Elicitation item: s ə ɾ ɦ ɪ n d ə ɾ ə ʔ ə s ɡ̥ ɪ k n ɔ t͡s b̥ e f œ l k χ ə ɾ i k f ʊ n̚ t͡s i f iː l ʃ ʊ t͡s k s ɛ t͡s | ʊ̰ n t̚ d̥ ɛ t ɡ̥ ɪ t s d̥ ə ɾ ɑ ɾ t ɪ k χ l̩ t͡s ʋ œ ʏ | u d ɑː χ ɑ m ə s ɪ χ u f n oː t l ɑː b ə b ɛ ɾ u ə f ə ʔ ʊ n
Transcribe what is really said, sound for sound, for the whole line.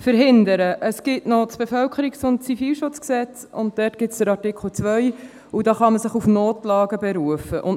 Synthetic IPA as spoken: f ə ɾ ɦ ɪ n d ə ɾ ə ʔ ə s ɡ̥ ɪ t n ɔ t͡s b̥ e f œ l k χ ə ɾ i k s ʊ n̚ t͡s i f iː l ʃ ʊ t͡s k s ɛ t͡s | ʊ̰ n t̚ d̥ ɛ t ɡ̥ ɪ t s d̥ ə ɾ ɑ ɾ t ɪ k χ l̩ t͡s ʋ œ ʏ | u d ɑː χ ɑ m ə s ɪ χ u f n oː t l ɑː ɡ ə b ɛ ɾ u ə f ə ʔ ʊ n